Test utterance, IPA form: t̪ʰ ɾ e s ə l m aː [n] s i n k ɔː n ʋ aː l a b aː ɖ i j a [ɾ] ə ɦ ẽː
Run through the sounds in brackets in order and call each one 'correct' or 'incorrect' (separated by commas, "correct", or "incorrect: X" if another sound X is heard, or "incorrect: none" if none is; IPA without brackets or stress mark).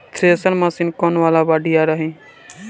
incorrect: none, correct